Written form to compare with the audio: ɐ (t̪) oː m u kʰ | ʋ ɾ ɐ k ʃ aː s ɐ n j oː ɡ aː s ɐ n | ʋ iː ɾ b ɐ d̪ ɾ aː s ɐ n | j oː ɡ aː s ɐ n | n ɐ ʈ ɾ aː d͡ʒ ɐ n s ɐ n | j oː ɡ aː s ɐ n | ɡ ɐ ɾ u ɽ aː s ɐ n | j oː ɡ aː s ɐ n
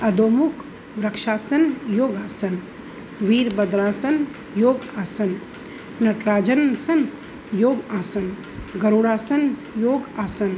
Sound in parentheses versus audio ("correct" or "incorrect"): incorrect